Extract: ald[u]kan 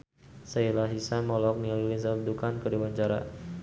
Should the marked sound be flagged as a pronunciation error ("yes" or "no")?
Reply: no